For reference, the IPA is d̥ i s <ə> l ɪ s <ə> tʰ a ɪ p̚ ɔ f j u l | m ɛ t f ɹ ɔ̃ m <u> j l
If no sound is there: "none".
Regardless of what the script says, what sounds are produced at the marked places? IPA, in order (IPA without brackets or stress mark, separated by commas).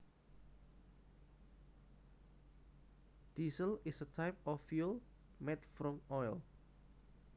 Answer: ə, ə, ɔ